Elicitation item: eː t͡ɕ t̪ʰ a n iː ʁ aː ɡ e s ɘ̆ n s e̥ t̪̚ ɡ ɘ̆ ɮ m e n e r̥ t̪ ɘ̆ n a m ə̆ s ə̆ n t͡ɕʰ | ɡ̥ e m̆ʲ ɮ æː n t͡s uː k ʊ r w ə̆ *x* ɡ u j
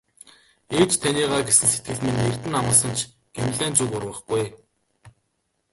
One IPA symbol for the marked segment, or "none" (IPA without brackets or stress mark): χ